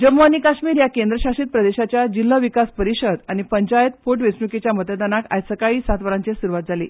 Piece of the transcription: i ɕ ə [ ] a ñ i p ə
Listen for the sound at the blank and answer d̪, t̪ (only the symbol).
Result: d̪